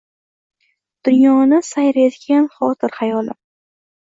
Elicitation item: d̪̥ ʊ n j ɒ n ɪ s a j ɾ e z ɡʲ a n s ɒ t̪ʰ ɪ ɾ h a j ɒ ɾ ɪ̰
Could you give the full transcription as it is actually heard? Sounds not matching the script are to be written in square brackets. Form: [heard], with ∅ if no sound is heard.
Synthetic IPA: d̪̥ ʊ n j ɒ n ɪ s a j ɾ e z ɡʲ a n [χ] ɒ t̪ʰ ɪ ɾ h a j ɒ [l] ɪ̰